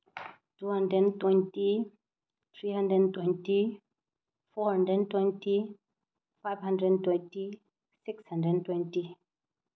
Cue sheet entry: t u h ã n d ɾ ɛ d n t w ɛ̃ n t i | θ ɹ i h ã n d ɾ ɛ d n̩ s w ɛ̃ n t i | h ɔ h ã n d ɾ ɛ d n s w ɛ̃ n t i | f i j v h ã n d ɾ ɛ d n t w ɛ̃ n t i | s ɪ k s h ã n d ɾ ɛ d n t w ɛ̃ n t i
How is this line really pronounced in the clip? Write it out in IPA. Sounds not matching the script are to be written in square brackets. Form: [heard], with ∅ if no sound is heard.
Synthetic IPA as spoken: t u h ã n d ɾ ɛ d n t w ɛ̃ n t i | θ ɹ i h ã n d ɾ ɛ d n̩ [t] w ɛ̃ n t i | [f] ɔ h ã n d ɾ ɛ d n [t] w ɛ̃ n t i | f [a] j v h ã n d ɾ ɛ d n t w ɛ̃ n t i | s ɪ k s h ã n d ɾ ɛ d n t w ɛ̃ n t i